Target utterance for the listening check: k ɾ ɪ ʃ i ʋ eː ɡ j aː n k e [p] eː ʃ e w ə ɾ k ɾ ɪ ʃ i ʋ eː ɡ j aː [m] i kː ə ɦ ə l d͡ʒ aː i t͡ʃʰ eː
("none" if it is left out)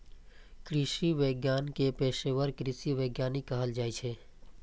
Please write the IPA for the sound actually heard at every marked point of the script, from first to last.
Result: p, n

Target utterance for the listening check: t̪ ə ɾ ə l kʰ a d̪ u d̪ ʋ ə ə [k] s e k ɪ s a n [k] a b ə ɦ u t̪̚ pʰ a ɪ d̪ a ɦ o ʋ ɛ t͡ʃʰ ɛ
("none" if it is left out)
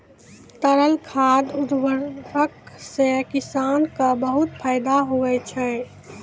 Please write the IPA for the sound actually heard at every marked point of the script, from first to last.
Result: k, k

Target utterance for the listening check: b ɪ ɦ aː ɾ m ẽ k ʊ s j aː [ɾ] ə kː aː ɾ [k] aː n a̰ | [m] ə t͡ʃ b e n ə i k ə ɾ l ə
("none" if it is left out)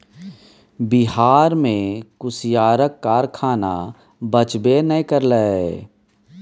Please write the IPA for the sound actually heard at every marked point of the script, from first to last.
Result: ɾ, kʰ, b

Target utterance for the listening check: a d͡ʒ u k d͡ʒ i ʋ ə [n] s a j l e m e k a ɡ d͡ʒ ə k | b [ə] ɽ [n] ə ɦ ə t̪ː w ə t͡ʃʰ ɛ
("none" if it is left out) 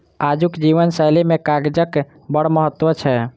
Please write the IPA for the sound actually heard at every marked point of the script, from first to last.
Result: n, ə, m

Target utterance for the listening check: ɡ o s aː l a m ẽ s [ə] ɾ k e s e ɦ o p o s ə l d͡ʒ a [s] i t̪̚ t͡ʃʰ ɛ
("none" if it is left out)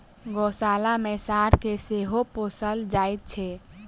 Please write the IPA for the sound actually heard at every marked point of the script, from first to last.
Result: a, none

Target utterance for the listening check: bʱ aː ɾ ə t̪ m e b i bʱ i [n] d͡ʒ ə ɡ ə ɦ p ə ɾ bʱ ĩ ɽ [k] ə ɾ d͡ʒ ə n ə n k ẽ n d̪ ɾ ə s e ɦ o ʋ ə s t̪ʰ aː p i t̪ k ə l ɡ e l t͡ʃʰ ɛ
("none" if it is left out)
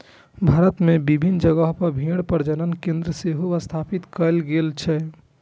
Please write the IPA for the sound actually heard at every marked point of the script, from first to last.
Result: n, p

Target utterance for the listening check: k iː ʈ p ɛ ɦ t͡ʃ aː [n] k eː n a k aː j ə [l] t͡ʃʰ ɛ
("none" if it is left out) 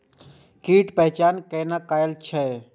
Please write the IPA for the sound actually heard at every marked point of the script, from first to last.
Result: n, l

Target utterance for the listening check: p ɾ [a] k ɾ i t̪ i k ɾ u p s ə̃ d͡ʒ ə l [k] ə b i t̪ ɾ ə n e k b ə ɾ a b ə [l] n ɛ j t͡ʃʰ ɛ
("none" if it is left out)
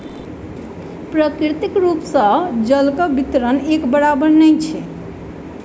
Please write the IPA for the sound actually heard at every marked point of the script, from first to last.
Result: ə, k, ɾ

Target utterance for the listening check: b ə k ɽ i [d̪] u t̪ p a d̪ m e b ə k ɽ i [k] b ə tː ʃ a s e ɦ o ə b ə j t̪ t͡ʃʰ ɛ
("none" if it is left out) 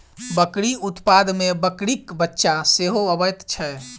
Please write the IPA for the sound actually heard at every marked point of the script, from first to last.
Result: none, k

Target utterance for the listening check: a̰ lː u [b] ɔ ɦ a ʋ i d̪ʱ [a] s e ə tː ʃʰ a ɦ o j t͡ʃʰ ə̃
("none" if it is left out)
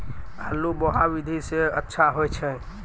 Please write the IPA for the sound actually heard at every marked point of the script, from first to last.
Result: b, i

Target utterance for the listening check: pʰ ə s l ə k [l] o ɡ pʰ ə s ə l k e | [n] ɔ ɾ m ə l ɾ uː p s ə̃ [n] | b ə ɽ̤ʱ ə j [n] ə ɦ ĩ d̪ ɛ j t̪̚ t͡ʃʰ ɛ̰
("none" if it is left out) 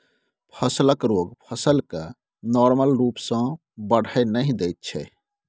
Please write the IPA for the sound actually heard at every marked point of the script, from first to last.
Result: ɾ, n, none, n

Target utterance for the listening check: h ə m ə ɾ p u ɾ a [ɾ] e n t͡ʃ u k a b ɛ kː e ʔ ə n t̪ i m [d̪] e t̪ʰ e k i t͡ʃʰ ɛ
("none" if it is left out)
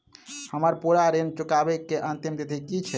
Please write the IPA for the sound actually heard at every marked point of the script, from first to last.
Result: ɾ, d̪

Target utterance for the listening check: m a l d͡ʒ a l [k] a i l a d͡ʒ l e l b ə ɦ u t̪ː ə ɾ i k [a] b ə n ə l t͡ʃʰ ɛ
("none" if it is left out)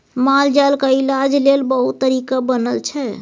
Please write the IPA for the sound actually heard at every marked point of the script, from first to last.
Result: k, a

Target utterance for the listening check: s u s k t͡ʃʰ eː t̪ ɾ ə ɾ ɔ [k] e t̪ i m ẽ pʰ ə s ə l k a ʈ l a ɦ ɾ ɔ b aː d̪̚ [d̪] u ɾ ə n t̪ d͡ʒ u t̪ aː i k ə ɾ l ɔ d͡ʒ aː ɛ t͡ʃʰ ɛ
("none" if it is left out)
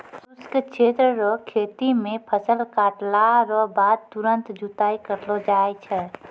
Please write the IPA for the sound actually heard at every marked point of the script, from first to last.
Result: kʰ, t̪

